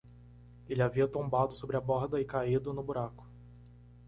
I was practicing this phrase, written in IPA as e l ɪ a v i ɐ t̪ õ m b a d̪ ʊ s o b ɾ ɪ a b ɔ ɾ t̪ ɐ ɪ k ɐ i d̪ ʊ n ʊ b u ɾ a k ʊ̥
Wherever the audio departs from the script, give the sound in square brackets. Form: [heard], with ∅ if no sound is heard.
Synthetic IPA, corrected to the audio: e l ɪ a v i ɐ t̪ õ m b a d̪ ʊ s o b ɾ ɪ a b ɔ ɾ [d̪] ɐ ɪ k [a] i d̪ ʊ n ʊ b u ɾ a k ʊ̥